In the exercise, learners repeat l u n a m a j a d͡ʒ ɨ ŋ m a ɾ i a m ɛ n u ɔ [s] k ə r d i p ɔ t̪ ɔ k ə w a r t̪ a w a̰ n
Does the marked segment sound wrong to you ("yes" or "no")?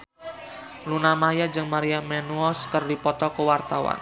no